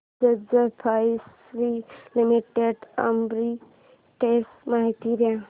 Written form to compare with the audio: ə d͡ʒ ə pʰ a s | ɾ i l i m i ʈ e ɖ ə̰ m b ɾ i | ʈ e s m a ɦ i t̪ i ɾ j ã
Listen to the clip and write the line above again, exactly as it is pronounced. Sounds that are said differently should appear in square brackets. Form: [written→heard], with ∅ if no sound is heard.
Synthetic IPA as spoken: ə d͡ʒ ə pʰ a s | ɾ i l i m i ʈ e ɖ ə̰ m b ɾ i | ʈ e s m a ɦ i t̪ i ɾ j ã